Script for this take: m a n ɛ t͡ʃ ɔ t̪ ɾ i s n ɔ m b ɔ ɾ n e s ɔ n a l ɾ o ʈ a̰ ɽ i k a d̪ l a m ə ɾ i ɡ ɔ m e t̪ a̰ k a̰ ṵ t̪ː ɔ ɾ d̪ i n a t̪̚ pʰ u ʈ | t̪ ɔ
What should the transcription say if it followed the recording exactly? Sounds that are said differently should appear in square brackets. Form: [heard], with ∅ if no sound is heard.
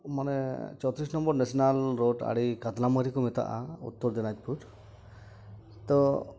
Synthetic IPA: m a n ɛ t͡ʃ ɔ t̪ ɾ i s n ɔ m b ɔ ɾ n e s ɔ n a l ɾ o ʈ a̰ ɽ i k a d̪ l a m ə ɾ i [k] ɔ m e t̪ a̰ [ʔ] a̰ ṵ t̪ː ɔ ɾ d̪ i n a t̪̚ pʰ u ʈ | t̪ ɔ